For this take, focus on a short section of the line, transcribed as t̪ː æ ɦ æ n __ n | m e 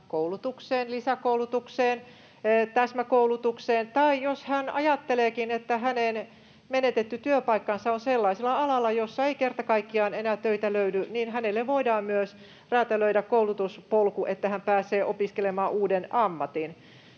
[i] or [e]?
e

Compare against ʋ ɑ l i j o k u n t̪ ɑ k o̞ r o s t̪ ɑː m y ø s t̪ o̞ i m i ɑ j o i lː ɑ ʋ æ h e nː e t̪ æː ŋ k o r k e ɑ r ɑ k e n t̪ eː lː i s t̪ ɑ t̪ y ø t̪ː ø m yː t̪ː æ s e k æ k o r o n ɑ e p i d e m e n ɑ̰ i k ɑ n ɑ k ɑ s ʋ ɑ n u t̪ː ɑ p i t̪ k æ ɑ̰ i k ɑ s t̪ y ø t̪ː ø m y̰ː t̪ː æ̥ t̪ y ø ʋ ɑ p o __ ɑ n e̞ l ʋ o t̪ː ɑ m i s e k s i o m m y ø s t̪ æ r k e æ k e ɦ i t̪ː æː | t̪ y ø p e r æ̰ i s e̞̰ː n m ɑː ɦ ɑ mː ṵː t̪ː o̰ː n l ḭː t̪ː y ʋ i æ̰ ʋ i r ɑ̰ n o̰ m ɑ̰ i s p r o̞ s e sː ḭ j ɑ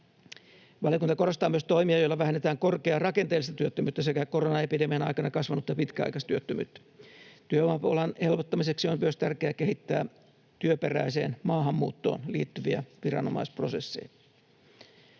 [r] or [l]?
l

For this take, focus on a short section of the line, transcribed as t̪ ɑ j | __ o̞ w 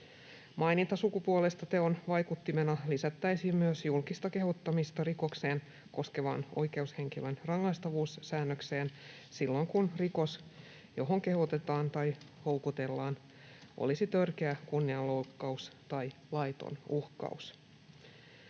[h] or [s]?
h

